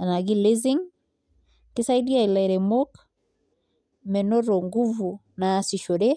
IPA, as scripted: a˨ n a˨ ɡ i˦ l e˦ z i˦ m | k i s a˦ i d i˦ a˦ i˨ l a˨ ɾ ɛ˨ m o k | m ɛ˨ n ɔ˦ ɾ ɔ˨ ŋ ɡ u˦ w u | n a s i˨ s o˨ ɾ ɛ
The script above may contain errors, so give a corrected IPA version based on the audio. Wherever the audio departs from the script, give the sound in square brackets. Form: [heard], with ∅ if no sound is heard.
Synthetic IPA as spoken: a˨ n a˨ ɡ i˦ l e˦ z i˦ [ŋ] | k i s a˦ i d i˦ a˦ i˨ l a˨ ɾ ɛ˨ m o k | m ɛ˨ n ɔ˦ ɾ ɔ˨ ŋ ɡ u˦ [v] u | n a s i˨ [ʃ] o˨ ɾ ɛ